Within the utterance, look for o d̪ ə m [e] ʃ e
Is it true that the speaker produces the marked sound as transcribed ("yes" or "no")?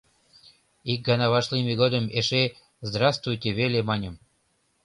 yes